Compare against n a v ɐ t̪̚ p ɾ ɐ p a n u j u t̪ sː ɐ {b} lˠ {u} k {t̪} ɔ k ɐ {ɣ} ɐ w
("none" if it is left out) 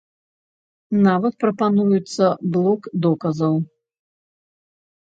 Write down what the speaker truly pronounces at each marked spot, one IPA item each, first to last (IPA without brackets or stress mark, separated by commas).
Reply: b, ɔ, d̪, z